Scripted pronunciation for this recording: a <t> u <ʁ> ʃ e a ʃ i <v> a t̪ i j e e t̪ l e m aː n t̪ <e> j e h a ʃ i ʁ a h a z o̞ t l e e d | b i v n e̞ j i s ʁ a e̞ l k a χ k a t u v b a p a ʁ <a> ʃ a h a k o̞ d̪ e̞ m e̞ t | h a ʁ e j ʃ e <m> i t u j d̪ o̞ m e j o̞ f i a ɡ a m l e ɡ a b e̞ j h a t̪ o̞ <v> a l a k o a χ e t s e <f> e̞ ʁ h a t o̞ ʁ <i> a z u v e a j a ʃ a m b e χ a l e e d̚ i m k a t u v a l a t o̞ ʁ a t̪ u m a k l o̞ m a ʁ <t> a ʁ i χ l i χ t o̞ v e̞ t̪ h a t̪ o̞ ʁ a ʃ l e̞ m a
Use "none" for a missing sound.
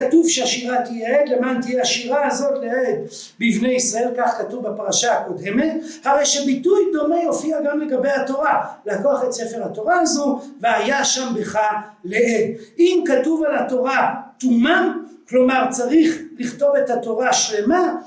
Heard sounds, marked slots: t, v, ʁ, i, a, b, ʁ, f, a, t͡s

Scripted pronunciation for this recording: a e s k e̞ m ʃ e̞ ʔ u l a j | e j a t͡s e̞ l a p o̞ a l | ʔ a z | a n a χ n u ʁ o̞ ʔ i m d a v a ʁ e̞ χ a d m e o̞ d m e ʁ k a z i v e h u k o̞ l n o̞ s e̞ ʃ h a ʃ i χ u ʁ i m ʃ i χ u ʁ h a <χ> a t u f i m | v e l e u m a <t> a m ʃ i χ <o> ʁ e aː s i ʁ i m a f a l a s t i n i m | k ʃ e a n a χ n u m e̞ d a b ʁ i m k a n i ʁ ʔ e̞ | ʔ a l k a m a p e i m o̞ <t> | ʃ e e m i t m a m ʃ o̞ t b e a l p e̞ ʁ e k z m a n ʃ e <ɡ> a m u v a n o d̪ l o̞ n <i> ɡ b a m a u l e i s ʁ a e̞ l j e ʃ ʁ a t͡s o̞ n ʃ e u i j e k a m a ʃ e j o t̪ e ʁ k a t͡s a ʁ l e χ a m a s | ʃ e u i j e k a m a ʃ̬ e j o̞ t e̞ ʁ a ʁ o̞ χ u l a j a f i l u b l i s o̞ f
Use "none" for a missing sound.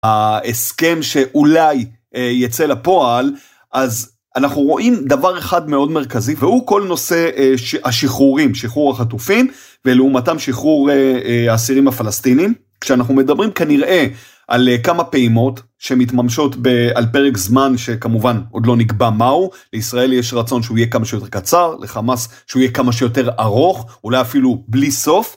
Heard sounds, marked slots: χ, t, u, t, k, i

